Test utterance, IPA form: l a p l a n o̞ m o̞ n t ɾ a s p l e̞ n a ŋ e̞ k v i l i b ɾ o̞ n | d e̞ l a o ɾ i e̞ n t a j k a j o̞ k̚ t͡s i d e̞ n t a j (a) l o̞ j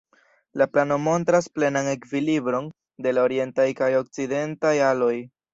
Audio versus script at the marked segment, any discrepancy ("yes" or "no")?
no